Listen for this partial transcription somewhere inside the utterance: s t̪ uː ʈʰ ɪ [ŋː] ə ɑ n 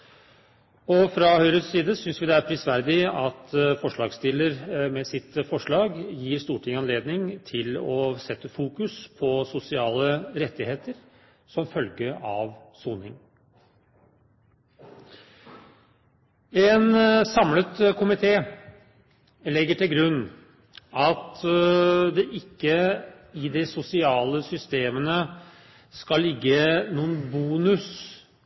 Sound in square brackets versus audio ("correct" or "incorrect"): incorrect